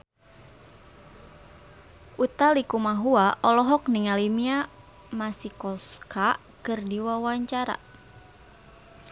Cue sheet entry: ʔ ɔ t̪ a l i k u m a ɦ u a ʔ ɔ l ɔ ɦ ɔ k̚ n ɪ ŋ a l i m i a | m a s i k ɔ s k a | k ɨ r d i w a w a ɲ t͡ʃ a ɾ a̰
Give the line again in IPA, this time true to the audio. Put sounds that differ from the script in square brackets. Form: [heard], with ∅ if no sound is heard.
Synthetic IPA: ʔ [u] t̪ a l i k u m a ɦ u a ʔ ɔ l ɔ ɦ ɔ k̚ n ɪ ŋ a l i m i a | m a s i k ɔ s k a | k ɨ r d i w a w a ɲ t͡ʃ a ɾ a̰